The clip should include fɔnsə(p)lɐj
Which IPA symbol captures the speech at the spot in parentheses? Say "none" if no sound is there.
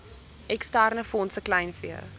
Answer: k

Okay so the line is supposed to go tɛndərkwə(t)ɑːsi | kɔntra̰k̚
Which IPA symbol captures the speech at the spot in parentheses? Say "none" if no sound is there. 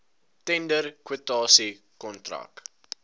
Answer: t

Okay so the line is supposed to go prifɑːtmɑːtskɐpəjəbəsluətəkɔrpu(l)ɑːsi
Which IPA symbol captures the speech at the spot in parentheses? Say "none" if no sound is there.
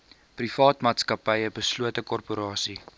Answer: ɾ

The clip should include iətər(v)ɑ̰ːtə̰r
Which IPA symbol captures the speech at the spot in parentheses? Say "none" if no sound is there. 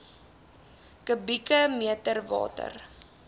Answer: v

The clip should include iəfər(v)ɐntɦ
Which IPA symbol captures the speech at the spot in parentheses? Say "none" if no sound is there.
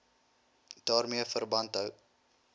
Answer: b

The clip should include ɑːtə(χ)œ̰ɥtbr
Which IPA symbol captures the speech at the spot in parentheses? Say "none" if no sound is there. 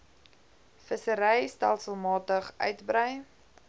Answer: χ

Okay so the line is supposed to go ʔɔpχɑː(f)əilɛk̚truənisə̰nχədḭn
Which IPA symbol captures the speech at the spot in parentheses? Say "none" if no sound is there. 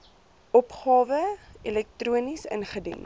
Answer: v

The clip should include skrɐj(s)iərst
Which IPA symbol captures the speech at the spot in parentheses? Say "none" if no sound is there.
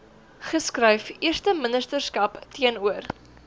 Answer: f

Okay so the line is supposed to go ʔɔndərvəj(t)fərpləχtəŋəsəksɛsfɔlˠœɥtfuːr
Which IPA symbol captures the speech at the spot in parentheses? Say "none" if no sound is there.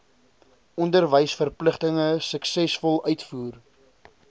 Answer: s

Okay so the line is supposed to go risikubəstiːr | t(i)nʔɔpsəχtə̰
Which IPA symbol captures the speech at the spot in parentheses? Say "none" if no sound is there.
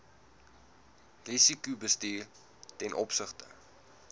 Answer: ɛ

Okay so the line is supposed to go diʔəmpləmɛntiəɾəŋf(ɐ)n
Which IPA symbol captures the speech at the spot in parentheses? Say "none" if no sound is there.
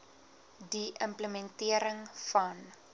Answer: ɐ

